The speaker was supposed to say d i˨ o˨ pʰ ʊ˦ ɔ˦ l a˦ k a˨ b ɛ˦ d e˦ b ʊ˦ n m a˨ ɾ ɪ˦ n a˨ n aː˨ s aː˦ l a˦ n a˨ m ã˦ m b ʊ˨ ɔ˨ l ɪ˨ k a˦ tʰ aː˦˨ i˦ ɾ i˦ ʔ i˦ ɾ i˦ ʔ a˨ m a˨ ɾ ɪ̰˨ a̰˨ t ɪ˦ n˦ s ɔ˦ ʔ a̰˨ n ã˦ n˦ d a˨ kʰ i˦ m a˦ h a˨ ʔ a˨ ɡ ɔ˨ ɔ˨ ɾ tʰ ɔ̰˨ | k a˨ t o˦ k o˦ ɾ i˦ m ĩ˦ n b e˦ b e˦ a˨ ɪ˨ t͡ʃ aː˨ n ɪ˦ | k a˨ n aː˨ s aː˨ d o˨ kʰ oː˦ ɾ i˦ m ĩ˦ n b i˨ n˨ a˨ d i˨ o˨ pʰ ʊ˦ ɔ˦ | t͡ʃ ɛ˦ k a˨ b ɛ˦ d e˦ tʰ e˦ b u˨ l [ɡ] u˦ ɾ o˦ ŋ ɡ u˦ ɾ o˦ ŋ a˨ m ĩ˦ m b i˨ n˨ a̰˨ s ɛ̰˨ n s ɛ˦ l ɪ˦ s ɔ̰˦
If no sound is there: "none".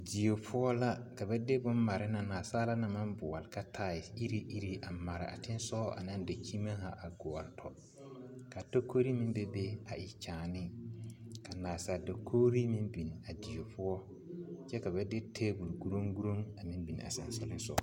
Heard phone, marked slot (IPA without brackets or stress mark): ɡ